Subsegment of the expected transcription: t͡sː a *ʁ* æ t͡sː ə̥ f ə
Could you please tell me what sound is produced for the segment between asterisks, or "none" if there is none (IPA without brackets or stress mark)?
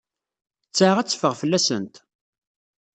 ʁ